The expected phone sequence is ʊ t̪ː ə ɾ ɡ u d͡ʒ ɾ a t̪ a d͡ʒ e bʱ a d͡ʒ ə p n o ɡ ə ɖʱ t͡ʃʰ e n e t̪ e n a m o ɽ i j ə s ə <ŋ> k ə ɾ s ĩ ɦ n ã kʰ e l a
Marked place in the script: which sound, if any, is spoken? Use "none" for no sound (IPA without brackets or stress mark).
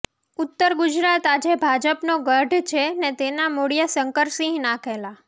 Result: ŋ